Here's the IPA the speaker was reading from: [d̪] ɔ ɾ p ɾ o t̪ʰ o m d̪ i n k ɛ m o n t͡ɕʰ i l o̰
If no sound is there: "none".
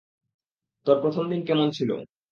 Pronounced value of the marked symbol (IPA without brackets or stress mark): t̪